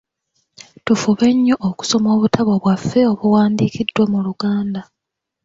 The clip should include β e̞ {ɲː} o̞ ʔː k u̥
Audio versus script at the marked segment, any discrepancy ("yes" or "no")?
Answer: no